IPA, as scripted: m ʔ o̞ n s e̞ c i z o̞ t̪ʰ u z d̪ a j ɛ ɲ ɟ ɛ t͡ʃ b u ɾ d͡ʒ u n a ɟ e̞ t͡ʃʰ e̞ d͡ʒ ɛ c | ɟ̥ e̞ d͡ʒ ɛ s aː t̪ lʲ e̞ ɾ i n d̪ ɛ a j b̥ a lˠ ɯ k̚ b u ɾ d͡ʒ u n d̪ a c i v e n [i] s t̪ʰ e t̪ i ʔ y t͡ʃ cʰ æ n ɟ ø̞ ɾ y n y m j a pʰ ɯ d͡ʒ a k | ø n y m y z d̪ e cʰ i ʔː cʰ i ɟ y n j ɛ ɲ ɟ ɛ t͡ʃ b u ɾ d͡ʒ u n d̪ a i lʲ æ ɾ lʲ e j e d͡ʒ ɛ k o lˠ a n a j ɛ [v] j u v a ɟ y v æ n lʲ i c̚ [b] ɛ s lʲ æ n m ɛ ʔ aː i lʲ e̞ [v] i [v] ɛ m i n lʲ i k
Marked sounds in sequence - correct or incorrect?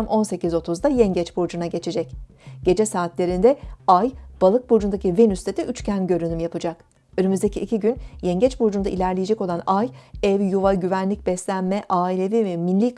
incorrect, correct, correct, correct, correct

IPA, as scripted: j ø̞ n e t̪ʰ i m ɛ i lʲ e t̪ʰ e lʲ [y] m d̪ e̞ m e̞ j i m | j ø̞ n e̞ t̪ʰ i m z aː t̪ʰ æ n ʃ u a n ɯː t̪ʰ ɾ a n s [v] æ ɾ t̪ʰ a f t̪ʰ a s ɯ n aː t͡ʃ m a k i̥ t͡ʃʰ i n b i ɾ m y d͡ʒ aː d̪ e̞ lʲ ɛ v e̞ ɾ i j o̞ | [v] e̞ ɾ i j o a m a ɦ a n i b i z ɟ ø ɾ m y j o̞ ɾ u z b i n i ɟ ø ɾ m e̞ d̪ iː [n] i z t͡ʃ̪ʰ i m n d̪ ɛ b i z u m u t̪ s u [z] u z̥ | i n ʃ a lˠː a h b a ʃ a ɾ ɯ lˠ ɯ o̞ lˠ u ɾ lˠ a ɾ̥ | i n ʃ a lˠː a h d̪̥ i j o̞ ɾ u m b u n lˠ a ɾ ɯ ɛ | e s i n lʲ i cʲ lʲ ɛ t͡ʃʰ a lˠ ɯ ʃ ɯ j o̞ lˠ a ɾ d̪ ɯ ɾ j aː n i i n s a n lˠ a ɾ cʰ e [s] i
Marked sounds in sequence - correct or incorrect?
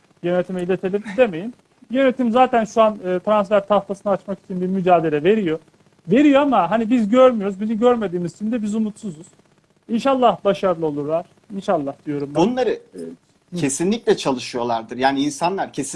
incorrect, incorrect, correct, incorrect, correct, correct

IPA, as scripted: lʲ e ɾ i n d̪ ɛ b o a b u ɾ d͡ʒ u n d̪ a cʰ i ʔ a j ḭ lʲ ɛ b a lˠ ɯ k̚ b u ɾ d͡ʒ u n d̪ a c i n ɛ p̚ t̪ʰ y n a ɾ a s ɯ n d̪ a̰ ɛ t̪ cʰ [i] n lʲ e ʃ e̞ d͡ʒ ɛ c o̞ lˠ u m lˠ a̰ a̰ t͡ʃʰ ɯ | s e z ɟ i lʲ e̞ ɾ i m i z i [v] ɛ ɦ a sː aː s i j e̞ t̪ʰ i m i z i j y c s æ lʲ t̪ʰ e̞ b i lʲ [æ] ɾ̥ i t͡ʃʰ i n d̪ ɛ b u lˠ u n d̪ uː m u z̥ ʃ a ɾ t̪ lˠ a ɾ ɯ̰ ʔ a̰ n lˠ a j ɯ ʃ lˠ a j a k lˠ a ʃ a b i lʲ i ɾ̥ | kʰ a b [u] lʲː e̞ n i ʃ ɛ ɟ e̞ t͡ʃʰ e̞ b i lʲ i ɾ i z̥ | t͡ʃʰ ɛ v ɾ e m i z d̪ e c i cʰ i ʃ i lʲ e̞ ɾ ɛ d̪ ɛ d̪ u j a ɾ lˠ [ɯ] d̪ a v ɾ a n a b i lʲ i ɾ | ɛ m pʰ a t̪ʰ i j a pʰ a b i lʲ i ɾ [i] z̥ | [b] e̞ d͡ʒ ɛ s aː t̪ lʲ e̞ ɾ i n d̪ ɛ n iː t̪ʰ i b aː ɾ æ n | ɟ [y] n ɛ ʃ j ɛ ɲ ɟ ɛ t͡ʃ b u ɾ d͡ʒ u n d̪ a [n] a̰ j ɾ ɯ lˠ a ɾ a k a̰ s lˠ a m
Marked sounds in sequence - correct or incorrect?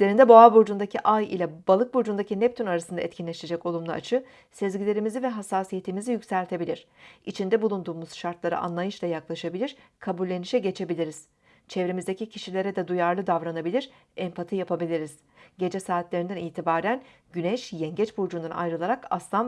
correct, correct, incorrect, correct, correct, correct, incorrect, correct, correct

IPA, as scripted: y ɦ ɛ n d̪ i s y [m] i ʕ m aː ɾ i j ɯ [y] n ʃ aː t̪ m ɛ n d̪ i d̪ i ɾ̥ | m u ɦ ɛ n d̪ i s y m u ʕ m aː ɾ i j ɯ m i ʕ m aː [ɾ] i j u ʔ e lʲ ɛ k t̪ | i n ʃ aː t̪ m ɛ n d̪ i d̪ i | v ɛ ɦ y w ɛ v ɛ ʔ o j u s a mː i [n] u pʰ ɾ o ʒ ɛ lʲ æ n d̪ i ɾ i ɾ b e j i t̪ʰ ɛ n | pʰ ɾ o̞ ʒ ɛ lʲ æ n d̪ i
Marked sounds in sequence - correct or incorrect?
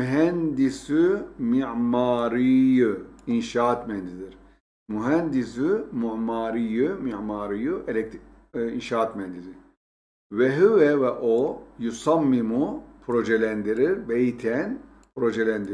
correct, incorrect, correct, incorrect

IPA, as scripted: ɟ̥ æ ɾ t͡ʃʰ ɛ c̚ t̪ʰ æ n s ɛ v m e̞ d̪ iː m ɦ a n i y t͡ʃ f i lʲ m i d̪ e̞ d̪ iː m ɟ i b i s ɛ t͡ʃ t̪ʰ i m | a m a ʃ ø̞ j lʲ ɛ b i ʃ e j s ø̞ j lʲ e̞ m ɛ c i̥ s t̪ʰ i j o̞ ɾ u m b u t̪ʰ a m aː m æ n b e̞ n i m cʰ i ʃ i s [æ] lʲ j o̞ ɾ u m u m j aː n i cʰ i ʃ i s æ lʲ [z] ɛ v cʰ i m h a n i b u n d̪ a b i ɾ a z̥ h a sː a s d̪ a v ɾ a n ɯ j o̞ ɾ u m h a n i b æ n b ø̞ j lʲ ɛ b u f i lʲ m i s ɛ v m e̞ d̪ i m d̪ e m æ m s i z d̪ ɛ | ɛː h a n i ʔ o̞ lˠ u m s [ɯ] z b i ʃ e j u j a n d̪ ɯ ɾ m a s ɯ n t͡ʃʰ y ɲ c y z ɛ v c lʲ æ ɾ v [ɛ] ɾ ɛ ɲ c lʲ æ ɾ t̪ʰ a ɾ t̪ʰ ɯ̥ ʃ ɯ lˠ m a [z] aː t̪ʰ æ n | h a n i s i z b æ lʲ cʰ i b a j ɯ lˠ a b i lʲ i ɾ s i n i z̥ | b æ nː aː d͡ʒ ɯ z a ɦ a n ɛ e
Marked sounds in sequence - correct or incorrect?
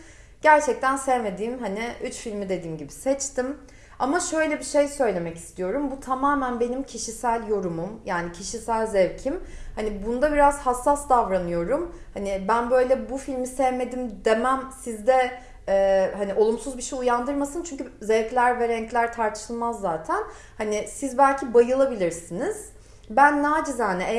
correct, correct, incorrect, correct, incorrect

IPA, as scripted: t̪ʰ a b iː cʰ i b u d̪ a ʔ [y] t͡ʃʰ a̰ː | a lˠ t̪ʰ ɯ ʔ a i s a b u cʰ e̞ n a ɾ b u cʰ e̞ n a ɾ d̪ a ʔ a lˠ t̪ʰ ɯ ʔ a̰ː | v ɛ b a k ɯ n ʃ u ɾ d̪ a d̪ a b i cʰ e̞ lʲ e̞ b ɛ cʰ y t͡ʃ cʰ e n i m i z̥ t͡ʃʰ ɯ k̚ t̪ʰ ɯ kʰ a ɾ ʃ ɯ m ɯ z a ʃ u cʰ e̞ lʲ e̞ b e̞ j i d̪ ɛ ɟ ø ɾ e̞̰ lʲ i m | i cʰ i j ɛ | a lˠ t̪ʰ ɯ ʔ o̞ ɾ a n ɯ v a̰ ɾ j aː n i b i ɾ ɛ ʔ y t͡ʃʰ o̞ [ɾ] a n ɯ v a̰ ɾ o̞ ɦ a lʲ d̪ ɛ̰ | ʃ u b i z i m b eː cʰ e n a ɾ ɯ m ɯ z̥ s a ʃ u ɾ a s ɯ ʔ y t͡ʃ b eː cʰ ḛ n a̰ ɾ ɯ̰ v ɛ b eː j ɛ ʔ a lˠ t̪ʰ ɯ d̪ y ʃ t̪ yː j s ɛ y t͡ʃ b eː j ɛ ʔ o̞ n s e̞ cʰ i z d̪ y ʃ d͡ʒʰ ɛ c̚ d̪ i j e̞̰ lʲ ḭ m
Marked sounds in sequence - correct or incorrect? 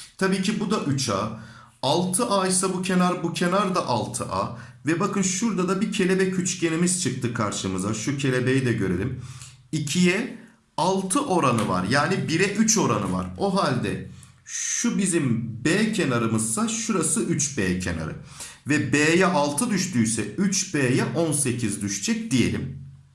correct, correct

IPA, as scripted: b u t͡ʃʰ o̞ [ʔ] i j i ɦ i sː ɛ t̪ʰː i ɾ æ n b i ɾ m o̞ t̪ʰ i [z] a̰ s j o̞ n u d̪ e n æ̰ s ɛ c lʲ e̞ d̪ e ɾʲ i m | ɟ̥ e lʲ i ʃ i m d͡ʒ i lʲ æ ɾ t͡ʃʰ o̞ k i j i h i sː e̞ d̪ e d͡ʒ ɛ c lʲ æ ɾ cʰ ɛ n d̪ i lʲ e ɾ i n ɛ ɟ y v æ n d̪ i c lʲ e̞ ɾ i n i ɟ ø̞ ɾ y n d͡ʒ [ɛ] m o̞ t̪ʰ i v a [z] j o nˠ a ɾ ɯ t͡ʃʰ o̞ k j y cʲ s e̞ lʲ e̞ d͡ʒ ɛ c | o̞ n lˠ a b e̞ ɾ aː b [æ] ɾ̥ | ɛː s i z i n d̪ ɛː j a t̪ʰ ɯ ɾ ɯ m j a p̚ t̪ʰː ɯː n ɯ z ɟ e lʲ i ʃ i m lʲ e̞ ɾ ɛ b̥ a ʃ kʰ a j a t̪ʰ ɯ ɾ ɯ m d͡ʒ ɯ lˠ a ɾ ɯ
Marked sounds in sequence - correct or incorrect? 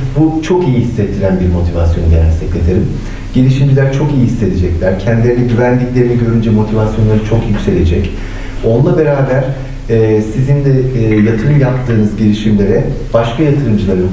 incorrect, incorrect, correct, incorrect, correct

